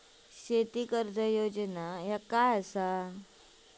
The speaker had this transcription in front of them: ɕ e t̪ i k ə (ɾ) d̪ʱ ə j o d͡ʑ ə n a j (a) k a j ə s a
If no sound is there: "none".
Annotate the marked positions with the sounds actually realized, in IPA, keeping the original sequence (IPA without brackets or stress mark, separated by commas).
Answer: ɾ, a